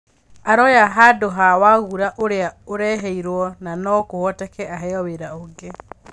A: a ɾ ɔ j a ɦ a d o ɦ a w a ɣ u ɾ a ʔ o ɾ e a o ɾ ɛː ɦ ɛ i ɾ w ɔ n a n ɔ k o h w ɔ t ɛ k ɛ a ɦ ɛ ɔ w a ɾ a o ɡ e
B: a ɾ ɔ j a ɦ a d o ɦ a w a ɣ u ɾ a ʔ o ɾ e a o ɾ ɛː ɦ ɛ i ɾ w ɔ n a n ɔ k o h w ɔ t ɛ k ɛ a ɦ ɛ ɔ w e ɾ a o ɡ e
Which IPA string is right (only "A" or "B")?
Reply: B